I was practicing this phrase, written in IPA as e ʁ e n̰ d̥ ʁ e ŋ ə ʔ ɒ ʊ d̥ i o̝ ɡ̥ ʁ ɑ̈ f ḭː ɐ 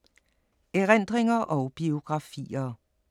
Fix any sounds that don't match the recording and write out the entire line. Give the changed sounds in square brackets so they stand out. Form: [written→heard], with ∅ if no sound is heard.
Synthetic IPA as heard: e ʁ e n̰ d̥ ʁ e ŋ [ə→ɐ] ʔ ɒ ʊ [d̥→b̥] i o̝ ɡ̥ ʁ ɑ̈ f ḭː ɐ

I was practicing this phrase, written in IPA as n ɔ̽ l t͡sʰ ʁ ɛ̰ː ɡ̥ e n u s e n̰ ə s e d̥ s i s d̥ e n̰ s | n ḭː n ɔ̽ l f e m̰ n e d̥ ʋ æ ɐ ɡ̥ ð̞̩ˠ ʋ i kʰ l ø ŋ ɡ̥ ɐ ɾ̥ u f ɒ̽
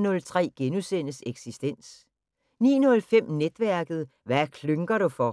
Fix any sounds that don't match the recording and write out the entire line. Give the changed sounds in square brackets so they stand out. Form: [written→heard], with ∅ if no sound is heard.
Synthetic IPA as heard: n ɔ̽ l t͡sʰ ʁ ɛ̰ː ɡ̥ e n u s e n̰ ə s e [d̥→ɡ̥] s i s d̥ e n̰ s | n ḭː n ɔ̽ l f e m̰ n e d̥ ʋ æ ɐ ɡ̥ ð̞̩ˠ ʋ [i→æ] kʰ l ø ŋ ɡ̥ ɐ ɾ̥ u f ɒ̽

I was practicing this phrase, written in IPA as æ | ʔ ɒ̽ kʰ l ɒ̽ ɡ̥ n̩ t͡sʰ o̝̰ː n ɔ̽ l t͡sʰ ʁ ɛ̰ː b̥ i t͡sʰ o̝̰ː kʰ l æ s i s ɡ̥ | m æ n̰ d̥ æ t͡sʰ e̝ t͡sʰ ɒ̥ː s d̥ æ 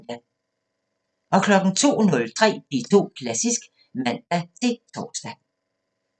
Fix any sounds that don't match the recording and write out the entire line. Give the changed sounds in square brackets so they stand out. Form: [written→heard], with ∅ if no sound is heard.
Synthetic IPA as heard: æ | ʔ ɒ̽ kʰ l ɒ̽ ɡ̥ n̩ t͡sʰ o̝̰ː n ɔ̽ l t͡sʰ ʁ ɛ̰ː b̥ i t͡sʰ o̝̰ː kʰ l æ s i s ɡ̥ | m æ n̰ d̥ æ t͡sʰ e̝ t͡sʰ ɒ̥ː s d̥ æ

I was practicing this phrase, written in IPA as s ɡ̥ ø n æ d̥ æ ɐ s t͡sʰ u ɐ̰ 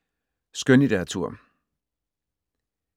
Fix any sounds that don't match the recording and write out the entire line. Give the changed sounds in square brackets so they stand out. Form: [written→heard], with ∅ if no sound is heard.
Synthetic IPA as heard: s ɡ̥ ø n [æ→i] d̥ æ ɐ [s→∅] t͡sʰ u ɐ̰

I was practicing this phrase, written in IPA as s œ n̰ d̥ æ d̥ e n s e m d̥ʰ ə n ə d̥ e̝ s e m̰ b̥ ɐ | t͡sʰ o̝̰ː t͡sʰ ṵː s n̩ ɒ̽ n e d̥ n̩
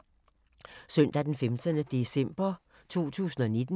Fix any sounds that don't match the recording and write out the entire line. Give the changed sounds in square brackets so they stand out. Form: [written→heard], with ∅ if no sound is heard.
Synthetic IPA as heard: s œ n̰ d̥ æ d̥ e n [s→f] e m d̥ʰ ə n ə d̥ e̝ s e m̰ b̥ ɐ | t͡sʰ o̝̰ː t͡sʰ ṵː s n̩ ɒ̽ n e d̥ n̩

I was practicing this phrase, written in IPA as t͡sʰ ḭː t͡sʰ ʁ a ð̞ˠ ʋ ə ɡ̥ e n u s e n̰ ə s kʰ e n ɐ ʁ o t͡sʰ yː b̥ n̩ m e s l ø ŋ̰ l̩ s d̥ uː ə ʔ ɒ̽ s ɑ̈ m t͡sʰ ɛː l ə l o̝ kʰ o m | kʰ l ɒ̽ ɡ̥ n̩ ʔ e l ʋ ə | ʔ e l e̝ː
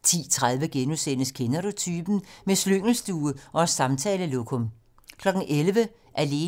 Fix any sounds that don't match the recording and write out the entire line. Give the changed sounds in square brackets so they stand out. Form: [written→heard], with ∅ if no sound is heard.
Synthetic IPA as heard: t͡sʰ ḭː t͡sʰ ʁ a ð̞ˠ ʋ ə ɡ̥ e n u s e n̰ ə s kʰ e n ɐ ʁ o t͡sʰ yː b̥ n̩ m e s l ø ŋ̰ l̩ s d̥ uː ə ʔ ɒ̽ s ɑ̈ m t͡sʰ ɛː l ə l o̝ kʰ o m | kʰ l ɒ̽ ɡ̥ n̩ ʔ e l ʋ ə | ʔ [e→æ] l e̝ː

